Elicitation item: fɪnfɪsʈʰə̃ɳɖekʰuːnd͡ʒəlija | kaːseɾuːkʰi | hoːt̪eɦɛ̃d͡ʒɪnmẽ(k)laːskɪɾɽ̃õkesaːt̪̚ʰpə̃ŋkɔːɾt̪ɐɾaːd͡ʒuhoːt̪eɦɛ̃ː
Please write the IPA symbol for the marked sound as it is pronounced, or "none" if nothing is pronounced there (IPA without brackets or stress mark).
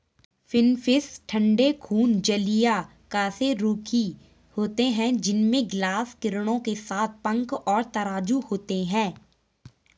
ɡ